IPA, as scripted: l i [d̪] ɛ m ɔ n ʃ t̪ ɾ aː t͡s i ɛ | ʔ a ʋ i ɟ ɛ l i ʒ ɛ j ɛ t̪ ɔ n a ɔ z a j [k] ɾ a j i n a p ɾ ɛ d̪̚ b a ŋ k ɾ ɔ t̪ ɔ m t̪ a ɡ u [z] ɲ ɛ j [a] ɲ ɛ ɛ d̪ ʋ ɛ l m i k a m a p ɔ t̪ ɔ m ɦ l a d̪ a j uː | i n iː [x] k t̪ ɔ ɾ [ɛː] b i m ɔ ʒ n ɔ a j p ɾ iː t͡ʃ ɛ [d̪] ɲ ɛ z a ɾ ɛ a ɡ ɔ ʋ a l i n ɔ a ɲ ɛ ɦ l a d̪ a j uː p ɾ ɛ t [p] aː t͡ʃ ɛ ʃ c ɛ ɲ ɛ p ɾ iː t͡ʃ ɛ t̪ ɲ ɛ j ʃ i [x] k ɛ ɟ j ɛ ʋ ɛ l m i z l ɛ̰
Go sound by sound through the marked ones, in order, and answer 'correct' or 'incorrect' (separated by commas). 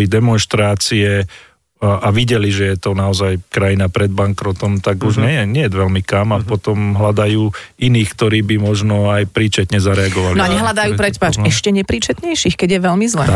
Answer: correct, correct, incorrect, incorrect, correct, incorrect, incorrect, correct, correct